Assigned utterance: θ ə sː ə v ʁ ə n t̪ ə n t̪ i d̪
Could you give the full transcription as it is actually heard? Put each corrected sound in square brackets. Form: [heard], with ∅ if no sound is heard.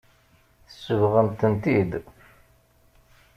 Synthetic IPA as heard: θ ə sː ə v ʁ ə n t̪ ə n t̪ i d̪